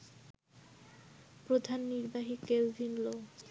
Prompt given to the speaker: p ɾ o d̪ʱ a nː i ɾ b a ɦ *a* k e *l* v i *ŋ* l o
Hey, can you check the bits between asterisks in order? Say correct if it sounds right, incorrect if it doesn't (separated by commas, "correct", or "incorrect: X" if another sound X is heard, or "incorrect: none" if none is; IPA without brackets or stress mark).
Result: incorrect: i, correct, incorrect: n